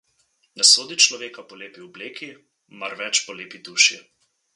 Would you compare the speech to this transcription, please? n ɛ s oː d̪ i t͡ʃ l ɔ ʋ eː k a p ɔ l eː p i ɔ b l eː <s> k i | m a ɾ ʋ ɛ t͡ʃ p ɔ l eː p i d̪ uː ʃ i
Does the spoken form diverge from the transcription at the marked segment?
yes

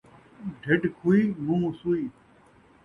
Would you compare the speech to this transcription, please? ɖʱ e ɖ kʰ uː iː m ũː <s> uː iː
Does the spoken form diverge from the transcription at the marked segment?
no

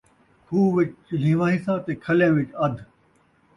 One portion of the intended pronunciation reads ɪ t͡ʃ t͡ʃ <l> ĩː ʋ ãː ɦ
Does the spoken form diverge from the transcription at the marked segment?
no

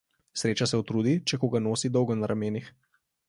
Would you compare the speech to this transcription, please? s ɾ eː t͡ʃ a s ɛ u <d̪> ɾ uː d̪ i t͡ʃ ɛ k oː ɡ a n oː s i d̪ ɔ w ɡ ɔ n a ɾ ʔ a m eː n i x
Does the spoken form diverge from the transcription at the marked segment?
yes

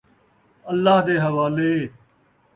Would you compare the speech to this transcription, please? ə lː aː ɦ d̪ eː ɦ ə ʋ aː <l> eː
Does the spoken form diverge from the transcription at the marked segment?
no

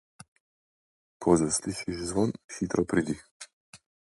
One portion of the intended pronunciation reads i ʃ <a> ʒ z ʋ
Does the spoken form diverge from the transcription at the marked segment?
yes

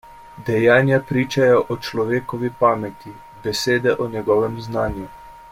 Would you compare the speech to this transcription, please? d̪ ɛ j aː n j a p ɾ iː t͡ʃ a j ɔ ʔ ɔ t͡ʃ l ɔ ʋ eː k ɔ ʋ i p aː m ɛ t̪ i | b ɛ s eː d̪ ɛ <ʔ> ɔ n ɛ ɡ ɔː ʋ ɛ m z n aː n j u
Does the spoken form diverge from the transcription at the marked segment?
no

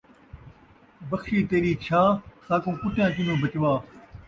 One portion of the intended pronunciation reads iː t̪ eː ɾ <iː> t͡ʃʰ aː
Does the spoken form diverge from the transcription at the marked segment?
no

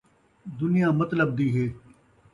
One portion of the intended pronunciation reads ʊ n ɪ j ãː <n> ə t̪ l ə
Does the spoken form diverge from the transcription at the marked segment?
yes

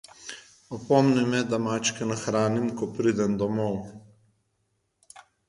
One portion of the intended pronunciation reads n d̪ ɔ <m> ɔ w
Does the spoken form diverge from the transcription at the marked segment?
no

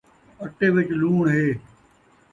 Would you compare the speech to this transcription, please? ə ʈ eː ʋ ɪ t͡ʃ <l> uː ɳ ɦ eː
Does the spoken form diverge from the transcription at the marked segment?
no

